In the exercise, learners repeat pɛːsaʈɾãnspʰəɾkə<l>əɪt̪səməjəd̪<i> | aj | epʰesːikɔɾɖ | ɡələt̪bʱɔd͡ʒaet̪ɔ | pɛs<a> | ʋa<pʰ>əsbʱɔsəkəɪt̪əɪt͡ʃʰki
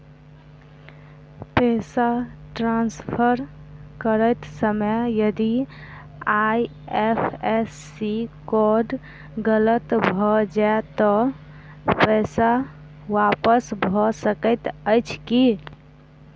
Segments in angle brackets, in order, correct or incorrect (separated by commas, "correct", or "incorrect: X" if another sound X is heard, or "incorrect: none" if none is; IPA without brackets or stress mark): incorrect: ɾ, correct, correct, incorrect: p